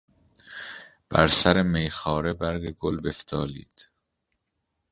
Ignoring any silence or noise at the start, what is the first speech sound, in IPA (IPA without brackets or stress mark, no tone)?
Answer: b̥